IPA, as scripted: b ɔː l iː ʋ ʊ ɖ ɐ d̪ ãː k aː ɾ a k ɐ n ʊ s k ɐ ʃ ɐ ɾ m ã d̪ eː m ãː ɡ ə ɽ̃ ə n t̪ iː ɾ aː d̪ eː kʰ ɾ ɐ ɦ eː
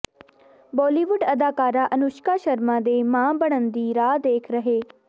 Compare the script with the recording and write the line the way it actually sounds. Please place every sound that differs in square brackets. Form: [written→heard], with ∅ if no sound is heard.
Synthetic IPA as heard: b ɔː l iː ʋ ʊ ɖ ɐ d̪ [ãː→aː] k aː ɾ a [k→ʔ] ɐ n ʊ [s→ʃ] k [ɐ→a] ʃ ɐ ɾ m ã d̪ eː m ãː [ɡ→b] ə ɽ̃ ə n [t̪→d̪] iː ɾ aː d̪ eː kʰ ɾ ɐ ɦ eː